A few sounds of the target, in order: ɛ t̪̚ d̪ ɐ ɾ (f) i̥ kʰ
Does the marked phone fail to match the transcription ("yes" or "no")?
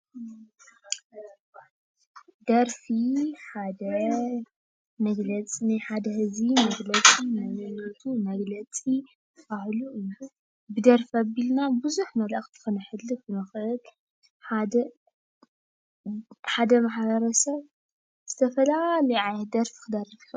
no